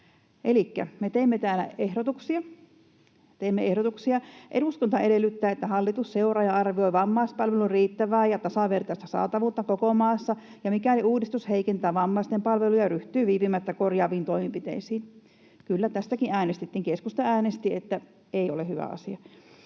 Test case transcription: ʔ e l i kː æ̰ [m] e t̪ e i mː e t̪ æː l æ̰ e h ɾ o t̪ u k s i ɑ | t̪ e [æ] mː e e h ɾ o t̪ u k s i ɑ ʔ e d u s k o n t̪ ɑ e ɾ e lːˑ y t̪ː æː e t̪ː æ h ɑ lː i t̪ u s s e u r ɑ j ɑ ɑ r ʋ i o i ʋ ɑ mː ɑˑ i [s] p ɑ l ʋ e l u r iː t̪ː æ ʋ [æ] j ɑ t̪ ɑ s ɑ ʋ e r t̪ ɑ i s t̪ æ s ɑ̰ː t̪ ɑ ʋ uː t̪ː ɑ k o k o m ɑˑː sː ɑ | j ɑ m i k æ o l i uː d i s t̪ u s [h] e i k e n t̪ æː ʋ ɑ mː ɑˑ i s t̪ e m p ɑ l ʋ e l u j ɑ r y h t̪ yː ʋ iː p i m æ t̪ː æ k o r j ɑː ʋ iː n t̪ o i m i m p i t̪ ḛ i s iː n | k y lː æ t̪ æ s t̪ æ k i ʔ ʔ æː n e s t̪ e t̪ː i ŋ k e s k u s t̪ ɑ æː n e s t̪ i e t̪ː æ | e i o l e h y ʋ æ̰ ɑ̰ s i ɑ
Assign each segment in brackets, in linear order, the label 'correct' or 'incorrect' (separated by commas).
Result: correct, incorrect, correct, incorrect, correct